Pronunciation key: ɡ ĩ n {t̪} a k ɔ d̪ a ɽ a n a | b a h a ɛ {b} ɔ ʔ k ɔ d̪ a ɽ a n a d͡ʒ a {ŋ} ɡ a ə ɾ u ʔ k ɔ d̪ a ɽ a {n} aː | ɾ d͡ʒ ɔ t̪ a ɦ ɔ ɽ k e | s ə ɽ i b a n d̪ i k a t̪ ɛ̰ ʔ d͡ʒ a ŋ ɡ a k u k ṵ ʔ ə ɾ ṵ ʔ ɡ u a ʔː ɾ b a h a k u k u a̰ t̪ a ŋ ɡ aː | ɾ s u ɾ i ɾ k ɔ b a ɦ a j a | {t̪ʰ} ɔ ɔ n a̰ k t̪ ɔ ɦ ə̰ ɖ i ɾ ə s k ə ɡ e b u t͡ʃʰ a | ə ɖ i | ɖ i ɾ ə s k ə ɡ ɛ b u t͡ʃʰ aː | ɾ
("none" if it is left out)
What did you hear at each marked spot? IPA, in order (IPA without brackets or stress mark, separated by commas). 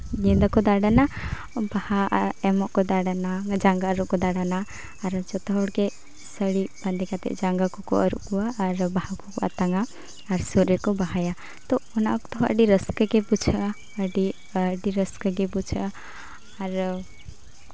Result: d̪, m, ŋ, n, t̪